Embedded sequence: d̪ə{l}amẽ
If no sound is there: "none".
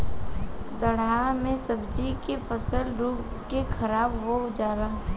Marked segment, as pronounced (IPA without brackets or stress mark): ɽ